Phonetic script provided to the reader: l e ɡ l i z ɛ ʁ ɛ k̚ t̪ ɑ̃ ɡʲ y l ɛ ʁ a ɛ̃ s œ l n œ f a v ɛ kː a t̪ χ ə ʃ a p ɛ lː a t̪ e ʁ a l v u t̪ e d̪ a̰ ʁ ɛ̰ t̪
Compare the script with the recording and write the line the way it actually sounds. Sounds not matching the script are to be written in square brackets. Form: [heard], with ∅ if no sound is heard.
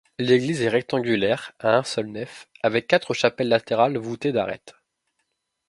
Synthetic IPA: l e ɡ l i z ɛ ʁ ɛ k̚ t̪ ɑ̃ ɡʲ y l ɛ ʁ a ɛ̃ s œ l n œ f a v ɛ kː a t̪ χ ə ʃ a p ɛ lː a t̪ e ʁ a l v u t̪ e d̪ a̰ ʁ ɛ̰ t̪

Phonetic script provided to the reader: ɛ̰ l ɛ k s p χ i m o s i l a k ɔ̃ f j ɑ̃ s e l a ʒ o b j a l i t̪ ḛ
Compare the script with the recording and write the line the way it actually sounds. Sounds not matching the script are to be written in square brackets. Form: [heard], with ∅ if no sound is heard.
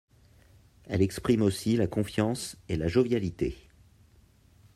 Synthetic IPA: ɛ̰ l ɛ k s p χ i m o s i l a k ɔ̃ f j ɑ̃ s e l a ʒ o [v] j a l i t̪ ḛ

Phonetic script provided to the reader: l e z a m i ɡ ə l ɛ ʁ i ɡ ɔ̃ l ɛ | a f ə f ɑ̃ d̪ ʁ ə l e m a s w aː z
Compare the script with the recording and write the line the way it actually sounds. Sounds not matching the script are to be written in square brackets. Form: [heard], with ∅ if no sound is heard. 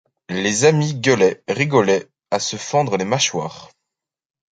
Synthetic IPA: l e z a m i ɡ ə l ɛ ʁ i ɡ [ɔ] l ɛ | a [s] ə f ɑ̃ d̪ ʁ ə l e m a [ʃ] w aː [ʁ]

